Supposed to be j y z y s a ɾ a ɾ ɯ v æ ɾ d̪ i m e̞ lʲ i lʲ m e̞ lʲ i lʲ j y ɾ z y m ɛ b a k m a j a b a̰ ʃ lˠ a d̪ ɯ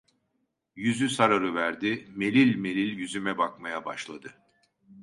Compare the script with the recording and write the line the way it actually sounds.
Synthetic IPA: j y z y s a ɾ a ɾ ɯ v æ ɾ d̪ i m e̞ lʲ i lʲ m e̞ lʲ i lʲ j y z y m ɛ b a k m a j a b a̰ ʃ lˠ a d̪ ɯ